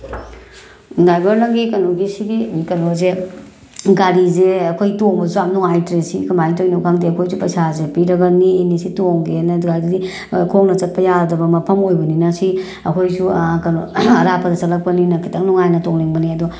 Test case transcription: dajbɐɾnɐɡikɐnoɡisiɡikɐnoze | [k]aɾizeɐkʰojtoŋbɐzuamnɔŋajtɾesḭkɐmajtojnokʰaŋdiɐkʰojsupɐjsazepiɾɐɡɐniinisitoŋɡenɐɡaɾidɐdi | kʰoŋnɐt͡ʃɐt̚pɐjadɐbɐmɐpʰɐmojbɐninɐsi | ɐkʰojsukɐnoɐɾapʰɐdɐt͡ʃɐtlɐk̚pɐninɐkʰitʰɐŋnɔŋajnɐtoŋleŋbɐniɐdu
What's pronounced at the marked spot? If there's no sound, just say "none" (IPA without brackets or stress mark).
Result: ɡ